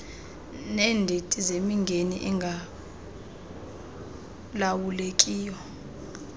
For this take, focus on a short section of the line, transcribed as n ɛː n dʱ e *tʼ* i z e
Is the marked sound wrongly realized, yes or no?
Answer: no